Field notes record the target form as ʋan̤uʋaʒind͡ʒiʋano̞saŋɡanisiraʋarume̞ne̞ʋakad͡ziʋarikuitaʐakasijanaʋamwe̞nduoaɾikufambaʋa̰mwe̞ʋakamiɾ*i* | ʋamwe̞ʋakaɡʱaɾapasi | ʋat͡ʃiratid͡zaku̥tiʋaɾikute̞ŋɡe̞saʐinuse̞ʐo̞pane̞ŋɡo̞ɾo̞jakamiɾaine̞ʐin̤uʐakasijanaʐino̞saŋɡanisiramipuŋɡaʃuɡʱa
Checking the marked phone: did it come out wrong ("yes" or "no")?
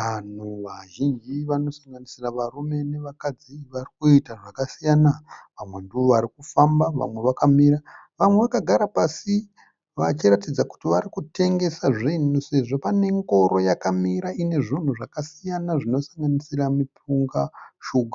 yes